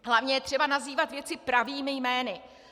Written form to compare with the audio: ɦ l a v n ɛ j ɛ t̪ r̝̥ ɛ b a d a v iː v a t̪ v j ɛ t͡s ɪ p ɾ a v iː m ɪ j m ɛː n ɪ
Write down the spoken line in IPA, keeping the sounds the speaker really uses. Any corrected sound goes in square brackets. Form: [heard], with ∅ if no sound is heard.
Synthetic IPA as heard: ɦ l a v [ɲ] ɛ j ɛ t̪ r̝̥ ɛ b a [n] a [z] iː v a t̪ v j ɛ t͡s ɪ p ɾ a v iː m ɪ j m ɛː n ɪ

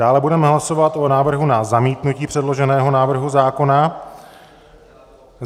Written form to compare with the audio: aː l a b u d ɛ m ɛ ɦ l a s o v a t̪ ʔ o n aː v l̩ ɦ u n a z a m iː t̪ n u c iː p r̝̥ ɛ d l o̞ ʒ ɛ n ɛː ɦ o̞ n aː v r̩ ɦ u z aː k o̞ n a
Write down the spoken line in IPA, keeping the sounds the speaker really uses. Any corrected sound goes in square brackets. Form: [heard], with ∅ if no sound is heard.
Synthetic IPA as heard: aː l [ɛ] b u d ɛ m ɛ ɦ l a s o v a t̪ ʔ o n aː v [r̩] ɦ u n a z a m iː t̪ n u c iː p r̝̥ ɛ d l o̞ ʒ ɛ n ɛː ɦ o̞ n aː v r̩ ɦ u z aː k o̞ n a

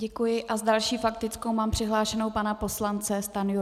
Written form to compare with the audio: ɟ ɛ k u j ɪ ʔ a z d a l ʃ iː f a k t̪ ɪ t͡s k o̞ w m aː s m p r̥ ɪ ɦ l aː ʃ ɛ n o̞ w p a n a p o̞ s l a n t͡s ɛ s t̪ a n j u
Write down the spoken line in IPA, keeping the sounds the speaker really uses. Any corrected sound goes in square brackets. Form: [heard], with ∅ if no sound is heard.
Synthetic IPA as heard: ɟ ɛ k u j ɪ ʔ a z d a l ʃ iː f a k t̪ ɪ t͡s k o̞ w m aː [∅] m p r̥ ɪ ɦ l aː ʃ ɛ n o̞ w p a n a p o̞ s l a n t͡s ɛ s t̪ a n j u

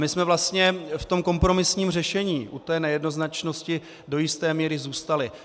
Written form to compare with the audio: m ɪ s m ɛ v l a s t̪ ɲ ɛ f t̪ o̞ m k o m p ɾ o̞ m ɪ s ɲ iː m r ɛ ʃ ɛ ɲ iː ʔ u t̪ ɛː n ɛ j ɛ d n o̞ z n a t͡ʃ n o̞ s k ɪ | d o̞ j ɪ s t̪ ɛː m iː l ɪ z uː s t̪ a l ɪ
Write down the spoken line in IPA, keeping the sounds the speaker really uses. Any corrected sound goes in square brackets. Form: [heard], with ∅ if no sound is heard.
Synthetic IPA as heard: m ɪ s m ɛ v l a s t̪ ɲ ɛ f t̪ o̞ m k o m p ɾ o̞ m ɪ s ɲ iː m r ɛ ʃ ɛ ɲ iː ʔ u t̪ ɛː n ɛ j ɛ d n o̞ z n a t͡ʃ n o̞ s [c] ɪ | d o̞ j ɪ s t̪ ɛː m iː [ɾ] ɪ z uː s t̪ a l ɪ

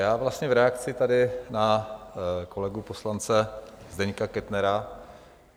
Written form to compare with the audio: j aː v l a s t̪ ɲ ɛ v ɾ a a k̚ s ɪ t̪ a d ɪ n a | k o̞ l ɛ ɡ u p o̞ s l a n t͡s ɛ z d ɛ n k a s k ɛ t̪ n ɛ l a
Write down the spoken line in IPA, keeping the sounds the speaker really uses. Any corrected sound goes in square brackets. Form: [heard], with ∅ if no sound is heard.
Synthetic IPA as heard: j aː v l a s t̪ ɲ ɛ v ɾ [ɛ] a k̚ [t͡s] ɪ t̪ a d ɪ n a | k o̞ l ɛ ɡ u p o̞ s l a n t͡s ɛ z d ɛ [ɲ] k a [∅] k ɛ t̪ n ɛ [ɾ] a

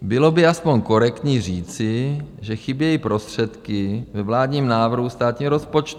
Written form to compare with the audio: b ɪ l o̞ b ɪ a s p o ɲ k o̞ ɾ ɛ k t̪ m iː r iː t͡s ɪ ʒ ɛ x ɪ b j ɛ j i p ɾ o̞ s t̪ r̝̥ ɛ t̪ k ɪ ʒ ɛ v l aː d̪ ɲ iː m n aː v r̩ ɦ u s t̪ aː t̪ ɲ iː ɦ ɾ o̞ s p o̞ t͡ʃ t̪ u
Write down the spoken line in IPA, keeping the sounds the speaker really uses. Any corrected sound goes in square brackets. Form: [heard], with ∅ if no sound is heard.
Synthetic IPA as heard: b ɪ l o̞ b ɪ a s p o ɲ k o̞ ɾ ɛ k t̪ [ɲ] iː r iː t͡s ɪ ʒ ɛ x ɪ b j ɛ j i p ɾ o̞ s t̪ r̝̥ ɛ t̪ k ɪ [v] ɛ v l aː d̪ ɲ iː m n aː v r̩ ɦ u s t̪ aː t̪ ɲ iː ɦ ɾ o̞ s p o̞ t͡ʃ t̪ u

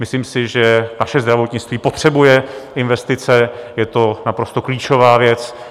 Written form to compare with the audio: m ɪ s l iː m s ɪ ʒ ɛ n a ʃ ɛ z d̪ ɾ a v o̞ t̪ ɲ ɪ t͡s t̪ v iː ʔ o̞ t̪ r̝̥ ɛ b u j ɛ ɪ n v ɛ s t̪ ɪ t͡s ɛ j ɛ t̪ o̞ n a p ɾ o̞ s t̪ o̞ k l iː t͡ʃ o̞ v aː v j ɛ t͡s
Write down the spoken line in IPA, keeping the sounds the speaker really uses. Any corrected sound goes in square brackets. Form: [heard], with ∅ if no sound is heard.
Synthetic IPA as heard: m ɪ s l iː m s ɪ ʒ ɛ n a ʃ ɛ z d̪ ɾ a v o̞ t̪ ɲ ɪ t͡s t̪ v iː [p] o̞ t̪ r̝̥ ɛ b u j ɛ ɪ n v ɛ s t̪ ɪ t͡s ɛ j ɛ t̪ o̞ n a p ɾ o̞ s t̪ o̞ k l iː t͡ʃ o̞ v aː v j ɛ t͡s

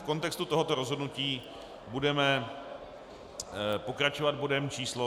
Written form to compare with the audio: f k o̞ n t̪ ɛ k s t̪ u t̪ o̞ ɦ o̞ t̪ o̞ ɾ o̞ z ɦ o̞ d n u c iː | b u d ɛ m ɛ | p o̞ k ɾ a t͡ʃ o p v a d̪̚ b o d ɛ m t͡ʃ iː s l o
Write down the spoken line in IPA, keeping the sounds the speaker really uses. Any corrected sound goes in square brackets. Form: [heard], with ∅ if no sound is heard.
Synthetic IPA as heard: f k o̞ n t̪ ɛ k s t̪ u t̪ o̞ ɦ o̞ t̪ o̞ ɾ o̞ z ɦ o̞ d n u c iː | b u d ɛ m ɛ | p o̞ k ɾ a t͡ʃ o [∅] v a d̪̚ b o d ɛ m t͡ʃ iː s l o

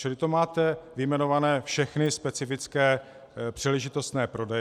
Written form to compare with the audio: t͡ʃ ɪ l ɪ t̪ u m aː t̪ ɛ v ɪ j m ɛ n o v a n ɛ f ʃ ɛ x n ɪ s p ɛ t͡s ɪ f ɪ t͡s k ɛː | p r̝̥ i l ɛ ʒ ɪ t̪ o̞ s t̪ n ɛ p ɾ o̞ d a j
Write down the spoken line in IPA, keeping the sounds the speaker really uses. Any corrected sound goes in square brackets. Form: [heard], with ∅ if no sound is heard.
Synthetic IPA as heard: t͡ʃ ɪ l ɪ t̪ [o] m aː t̪ ɛ v ɪ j m ɛ n o v a n [ɛː] f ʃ ɛ x n ɪ s p ɛ t͡s ɪ f ɪ t͡s k ɛː | p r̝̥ i l ɛ ʒ ɪ t̪ o̞ s t̪ n [ɛː] p ɾ o̞ d [ɛ] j

